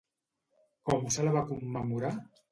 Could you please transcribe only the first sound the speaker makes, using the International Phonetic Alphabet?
k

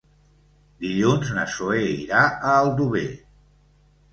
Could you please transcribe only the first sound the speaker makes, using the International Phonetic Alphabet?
d̪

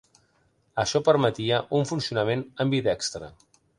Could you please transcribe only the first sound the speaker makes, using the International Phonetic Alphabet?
ə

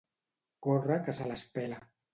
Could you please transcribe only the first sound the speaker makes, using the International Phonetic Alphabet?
k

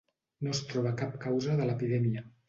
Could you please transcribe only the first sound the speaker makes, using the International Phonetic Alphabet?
n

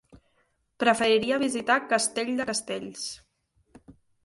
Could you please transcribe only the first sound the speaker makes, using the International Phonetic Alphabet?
p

